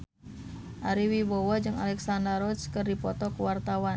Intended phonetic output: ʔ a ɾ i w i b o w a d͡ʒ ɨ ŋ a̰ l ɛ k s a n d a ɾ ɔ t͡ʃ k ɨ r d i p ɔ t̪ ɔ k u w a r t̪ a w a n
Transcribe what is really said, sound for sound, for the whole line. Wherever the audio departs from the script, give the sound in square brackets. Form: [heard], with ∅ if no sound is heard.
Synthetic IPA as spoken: ʔ a ɾ i w i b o w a d͡ʒ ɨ ŋ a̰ l ɛ k s a n d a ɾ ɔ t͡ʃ k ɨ r d i p ɔ t̪ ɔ k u w a r t̪ a w a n